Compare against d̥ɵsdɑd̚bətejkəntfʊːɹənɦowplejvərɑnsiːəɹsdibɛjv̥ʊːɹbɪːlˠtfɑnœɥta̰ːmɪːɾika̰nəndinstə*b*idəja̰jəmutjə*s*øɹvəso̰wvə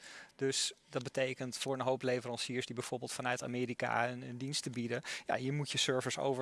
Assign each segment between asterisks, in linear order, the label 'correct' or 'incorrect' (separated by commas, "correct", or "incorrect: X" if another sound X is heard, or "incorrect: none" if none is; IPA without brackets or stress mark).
correct, correct